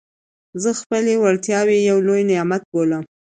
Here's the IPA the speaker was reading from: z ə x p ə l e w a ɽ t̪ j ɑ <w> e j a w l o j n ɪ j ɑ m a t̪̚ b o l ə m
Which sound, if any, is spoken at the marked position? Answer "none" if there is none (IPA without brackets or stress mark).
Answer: w